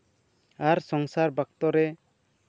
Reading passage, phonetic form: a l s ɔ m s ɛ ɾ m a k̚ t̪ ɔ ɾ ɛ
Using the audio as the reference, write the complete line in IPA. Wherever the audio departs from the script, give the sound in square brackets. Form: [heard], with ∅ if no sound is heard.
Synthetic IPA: a [ɾ] s ɔ [ŋ] s [a] ɾ [b] a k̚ t̪ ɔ ɾ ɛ